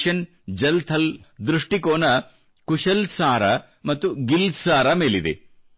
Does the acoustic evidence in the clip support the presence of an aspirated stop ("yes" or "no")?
yes